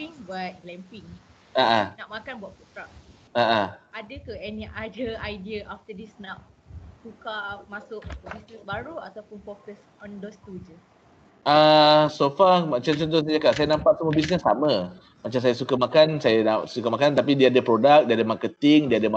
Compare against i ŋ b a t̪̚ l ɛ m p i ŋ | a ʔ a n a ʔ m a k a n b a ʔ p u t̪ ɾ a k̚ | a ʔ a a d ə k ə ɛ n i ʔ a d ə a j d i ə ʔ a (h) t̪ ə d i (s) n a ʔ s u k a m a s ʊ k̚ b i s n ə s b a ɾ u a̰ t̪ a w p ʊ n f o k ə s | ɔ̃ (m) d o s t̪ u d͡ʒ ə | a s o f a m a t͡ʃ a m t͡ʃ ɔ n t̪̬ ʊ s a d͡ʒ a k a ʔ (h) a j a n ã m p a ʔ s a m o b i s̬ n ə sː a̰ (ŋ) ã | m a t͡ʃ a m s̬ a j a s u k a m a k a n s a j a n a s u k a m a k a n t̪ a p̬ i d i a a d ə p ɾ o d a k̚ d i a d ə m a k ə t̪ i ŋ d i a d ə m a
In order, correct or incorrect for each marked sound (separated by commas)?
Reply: incorrect, correct, incorrect, incorrect, incorrect